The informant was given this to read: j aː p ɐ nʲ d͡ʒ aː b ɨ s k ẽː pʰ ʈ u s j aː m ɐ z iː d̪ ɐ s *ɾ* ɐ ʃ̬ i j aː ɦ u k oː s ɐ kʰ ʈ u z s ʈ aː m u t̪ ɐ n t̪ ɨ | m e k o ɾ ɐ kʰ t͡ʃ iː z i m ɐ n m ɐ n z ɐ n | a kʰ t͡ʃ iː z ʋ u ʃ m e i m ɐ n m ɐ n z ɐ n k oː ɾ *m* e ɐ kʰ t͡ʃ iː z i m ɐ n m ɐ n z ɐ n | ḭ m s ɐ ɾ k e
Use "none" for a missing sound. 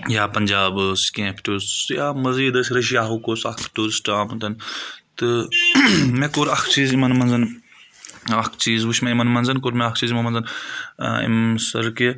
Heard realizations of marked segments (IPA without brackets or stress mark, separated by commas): ɾ, m